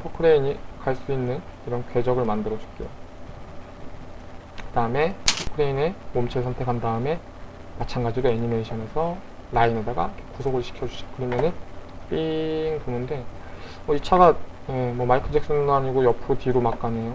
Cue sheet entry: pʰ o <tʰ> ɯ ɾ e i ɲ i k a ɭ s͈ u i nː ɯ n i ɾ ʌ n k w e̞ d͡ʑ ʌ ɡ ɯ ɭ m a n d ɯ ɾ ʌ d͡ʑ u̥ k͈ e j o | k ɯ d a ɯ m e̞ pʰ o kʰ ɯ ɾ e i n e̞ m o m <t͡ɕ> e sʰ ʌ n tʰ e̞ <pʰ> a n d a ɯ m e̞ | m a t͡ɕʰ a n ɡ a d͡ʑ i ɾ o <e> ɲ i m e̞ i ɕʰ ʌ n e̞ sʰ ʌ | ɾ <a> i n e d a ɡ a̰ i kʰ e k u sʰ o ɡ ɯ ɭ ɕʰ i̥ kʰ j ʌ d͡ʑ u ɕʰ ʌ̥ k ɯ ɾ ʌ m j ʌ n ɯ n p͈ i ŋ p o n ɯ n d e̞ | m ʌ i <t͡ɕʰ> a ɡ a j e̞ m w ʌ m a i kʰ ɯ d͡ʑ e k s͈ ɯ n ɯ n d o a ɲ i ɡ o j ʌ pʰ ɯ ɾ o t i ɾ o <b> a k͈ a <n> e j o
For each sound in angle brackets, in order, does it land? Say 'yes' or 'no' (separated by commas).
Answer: no, no, no, yes, yes, yes, no, yes